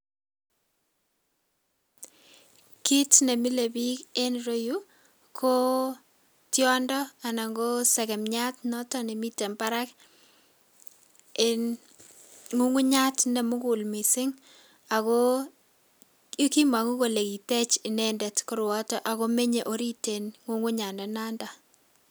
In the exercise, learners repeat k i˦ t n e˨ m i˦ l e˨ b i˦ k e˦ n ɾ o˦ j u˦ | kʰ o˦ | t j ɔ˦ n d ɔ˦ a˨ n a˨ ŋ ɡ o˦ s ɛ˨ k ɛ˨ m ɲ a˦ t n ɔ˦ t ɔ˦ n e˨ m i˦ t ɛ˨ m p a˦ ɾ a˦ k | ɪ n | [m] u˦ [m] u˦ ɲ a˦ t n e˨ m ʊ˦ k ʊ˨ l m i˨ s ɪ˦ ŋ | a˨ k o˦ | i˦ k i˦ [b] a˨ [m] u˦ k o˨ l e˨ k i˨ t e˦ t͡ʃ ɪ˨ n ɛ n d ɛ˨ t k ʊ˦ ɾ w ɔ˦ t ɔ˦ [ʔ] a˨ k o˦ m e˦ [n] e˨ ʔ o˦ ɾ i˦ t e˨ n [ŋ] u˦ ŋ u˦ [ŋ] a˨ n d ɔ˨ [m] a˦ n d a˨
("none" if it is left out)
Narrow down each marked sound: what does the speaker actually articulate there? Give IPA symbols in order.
ŋ, ŋ, m, ŋ, ʔ, ɲ, ŋ, ɲ, n

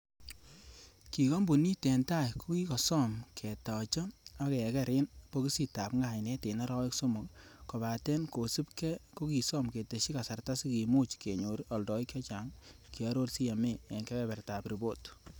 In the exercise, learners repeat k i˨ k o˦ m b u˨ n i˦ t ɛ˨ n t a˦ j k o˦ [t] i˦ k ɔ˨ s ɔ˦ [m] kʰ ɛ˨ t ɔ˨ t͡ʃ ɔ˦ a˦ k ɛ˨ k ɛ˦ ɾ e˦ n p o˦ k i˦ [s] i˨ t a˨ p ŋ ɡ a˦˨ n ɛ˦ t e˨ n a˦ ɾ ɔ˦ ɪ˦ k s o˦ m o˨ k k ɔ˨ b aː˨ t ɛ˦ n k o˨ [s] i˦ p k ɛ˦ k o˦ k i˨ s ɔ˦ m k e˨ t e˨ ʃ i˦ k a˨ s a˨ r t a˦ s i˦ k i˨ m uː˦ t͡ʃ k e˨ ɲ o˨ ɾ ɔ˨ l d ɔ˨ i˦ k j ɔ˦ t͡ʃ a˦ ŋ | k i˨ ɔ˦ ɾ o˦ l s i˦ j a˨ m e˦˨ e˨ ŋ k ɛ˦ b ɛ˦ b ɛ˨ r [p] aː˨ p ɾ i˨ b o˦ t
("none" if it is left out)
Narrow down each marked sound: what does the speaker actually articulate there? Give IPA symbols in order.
k, m, s, s, t

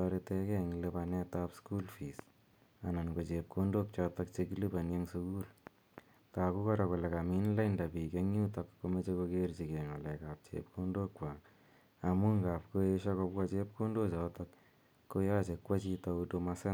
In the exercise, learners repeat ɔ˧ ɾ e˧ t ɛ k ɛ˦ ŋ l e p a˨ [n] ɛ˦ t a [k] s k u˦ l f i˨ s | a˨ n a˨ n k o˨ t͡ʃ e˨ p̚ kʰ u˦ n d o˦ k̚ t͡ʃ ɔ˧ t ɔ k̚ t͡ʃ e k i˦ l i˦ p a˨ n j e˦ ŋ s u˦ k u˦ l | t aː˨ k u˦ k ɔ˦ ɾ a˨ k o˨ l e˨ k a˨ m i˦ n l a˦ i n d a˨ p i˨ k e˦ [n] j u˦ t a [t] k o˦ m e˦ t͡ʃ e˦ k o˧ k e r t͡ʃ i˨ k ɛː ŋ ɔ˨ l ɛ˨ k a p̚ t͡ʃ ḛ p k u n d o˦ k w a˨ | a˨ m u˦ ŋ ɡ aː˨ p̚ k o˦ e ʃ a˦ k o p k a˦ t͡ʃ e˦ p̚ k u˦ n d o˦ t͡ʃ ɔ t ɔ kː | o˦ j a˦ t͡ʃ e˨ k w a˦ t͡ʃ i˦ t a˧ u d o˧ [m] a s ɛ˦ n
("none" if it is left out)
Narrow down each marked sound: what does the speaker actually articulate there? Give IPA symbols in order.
n, p, ŋ, k, m

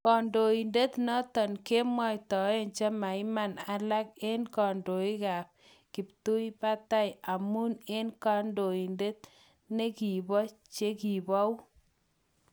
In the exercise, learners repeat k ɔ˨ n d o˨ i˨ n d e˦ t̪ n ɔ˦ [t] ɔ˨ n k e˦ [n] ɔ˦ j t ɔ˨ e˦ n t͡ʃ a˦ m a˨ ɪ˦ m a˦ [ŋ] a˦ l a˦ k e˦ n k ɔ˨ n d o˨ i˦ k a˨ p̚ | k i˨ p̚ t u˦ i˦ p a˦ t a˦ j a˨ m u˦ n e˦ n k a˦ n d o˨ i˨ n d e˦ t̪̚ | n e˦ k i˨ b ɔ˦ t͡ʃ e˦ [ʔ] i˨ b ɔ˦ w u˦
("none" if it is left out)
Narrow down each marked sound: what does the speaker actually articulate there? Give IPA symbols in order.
t, m, n, k

